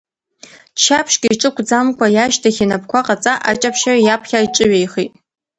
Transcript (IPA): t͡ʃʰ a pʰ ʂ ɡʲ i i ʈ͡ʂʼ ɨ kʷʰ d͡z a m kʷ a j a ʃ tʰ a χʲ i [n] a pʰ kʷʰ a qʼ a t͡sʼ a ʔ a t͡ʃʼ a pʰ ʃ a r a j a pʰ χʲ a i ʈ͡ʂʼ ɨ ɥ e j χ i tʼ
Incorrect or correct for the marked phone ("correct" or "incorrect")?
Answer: correct